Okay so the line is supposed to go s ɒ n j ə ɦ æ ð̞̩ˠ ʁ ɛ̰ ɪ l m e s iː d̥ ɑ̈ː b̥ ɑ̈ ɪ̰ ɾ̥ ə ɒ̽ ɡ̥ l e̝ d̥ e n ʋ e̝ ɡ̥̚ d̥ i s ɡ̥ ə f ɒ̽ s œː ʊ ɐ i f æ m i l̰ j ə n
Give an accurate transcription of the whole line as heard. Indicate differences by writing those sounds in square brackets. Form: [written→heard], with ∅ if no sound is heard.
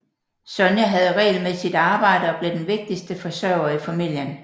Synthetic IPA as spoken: s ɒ n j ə ɦ æ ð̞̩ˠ ʁ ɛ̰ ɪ l m e s [iː→i] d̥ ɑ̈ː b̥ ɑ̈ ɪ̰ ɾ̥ ə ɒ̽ [ɡ̥→b̥] l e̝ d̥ e n ʋ e̝ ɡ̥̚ d̥ i s [ɡ̥→d̥] ə f ɒ̽ s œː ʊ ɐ i f æ m i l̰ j ə n